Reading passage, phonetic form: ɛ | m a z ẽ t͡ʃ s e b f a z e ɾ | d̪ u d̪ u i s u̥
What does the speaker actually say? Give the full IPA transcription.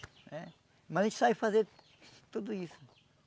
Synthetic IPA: ɛ | m ɐ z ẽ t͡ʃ s a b f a z e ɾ | t̪ u d̪ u i s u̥